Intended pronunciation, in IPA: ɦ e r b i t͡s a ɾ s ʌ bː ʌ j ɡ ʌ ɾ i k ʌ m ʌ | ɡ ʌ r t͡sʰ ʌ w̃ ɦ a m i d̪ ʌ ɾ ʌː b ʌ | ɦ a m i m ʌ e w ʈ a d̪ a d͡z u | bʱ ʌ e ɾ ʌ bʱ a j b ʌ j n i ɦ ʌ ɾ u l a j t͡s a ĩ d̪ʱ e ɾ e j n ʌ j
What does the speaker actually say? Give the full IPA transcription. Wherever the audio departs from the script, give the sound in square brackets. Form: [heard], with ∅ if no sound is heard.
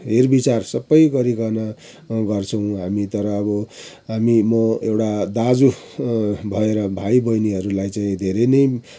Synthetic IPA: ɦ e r b i t͡s a [r] s ʌ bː ʌ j ɡ ʌ ɾ i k ʌ [n] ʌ | ɡ ʌ r t͡sʰ ʌ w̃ ɦ a m i [t̪] ʌ ɾ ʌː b ʌ | ɦ a m i m ʌ e w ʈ a d̪ a d͡z u | bʱ ʌ e ɾ ʌ bʱ a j b ʌ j n i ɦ ʌ ɾ u l a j t͡s a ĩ d̪ʱ e ɾ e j n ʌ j